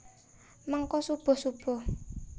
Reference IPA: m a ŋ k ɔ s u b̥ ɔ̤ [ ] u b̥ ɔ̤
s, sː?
s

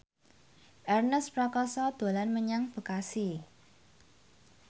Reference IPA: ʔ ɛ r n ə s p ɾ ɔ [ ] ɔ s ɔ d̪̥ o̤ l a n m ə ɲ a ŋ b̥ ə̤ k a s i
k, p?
k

